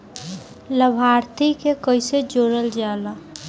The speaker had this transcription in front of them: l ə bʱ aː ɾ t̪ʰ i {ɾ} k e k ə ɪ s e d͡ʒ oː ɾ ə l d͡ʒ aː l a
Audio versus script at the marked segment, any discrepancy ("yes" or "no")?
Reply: yes